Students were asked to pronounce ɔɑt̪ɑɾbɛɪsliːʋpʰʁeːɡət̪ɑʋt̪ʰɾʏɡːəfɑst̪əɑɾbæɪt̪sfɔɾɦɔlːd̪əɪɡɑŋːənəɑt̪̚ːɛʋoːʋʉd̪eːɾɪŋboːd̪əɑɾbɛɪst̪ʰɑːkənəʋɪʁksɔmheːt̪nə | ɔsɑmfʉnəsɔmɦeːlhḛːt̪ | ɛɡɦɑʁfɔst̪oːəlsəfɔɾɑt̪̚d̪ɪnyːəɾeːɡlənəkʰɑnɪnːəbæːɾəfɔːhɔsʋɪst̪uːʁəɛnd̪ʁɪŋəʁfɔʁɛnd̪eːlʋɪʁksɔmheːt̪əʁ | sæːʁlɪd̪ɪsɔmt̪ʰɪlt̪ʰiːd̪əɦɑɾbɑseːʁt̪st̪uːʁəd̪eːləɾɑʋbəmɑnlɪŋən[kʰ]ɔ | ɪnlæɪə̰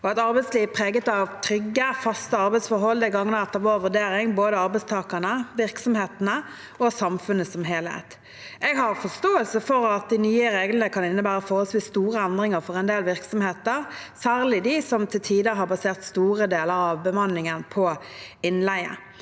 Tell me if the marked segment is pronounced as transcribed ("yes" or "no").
no